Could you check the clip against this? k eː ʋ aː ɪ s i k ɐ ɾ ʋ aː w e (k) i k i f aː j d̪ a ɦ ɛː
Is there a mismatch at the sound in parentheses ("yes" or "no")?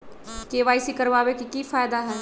no